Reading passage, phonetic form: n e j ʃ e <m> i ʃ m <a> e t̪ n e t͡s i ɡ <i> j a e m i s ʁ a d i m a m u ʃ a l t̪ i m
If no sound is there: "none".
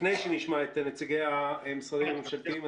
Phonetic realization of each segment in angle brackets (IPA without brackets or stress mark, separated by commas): n, a, e